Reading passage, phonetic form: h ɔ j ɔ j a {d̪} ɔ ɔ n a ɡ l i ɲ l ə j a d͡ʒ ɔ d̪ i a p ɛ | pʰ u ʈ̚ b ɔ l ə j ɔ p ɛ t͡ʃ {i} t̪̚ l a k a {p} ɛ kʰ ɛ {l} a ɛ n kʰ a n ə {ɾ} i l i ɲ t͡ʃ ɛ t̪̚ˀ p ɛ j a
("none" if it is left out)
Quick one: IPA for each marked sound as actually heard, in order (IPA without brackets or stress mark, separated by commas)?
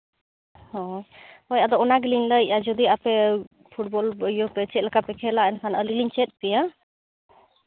d̪, ɛ, p, l, l